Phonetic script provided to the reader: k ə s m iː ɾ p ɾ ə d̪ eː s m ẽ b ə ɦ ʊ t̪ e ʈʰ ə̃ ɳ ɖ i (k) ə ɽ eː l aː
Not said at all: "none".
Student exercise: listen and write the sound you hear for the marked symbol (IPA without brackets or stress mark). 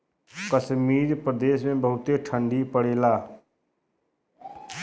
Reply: p